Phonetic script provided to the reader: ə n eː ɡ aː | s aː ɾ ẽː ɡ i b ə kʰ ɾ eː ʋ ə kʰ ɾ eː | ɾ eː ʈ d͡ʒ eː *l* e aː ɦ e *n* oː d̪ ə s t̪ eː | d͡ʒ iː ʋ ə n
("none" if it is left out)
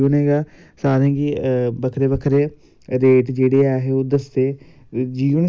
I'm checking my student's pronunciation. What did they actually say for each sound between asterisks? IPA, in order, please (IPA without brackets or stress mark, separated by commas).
ɽ, none